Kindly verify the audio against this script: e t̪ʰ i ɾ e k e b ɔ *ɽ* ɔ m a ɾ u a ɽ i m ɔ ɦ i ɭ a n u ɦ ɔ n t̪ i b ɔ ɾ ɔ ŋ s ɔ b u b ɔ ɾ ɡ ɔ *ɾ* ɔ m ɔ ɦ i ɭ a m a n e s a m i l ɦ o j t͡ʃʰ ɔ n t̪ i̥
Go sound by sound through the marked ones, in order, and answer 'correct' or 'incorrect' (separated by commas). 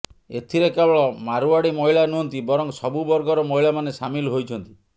incorrect, correct